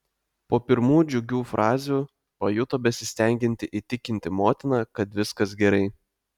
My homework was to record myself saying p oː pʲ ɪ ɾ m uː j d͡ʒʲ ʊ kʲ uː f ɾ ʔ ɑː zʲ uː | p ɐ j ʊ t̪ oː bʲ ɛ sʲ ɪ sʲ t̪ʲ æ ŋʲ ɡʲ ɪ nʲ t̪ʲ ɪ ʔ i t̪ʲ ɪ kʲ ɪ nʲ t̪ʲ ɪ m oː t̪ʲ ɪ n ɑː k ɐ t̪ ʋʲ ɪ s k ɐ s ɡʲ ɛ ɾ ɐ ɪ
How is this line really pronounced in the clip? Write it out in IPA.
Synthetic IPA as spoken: p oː pʲ ɪ ɾ m uː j d͡ʒʲ ʊ ɡʲ uː f ɾ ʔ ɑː zʲ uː | p ɐ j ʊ t̪ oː bʲ ɛ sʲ ɪ sʲ t̪ʲ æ ŋʲ ɡʲ ɪ nʲ t̪ʲ ɪ ʔ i t̪ʲ ɪ kʲ ɪ nʲ t̪ʲ ɪ m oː t̪ʲ ɪ n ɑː k ɐ t̪ ʋʲ ɪ s k ɐ s ɡʲ ɛ ɾ ɐ ɪ